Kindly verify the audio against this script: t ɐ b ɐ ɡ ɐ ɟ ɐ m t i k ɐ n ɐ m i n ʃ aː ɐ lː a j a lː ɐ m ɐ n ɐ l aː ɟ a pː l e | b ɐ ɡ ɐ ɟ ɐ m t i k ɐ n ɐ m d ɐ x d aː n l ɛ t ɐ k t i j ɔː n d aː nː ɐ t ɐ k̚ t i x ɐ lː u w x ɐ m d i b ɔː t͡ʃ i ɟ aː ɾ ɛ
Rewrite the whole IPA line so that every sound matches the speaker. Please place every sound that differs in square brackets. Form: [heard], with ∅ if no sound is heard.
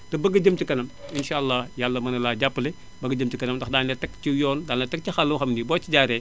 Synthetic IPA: t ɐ b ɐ ɡ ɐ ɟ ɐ m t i k ɐ n ɐ m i n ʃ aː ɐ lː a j a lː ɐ m ɐ n ɐ l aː ɟ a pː l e | b ɐ ɡ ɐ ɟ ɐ m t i k ɐ n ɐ m d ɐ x d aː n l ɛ t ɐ k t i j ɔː n d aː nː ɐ t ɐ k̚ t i x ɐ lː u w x ɐ m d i b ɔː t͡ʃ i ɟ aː ɾ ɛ